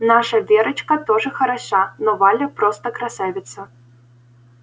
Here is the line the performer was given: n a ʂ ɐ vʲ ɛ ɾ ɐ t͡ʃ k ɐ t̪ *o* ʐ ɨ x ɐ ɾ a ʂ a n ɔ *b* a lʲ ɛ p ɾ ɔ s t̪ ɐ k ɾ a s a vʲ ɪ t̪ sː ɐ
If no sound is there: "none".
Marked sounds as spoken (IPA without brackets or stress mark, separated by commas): ɔ, v